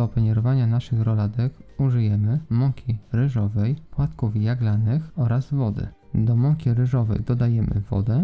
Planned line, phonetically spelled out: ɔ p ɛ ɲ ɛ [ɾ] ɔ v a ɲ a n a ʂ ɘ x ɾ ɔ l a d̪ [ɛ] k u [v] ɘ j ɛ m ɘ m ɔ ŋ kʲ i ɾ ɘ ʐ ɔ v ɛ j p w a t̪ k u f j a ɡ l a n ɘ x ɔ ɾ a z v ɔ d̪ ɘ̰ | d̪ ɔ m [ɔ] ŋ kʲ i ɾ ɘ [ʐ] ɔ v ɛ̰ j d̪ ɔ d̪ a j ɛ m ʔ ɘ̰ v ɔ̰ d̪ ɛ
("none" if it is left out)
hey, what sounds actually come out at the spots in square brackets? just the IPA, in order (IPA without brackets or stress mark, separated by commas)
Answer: ɾ, ɛ, ʐ, ɔ, ʐ